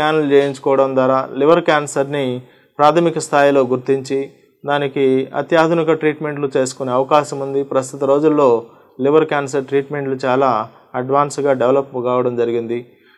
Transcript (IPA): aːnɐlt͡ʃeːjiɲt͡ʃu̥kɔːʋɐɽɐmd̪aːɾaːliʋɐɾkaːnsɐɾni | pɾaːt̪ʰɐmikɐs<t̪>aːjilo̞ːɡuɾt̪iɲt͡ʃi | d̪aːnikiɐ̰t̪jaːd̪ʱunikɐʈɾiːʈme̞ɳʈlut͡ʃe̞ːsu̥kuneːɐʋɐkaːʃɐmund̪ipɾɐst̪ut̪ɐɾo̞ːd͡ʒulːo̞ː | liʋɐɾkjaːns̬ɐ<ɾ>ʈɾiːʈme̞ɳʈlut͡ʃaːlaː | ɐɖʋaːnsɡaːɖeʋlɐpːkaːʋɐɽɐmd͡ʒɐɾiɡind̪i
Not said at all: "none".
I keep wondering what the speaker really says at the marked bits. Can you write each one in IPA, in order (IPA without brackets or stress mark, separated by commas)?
t̪ʰ, ɾ